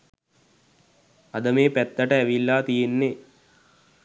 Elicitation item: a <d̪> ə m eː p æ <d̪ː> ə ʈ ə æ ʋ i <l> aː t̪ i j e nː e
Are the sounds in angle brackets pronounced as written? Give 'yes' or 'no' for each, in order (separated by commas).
yes, no, no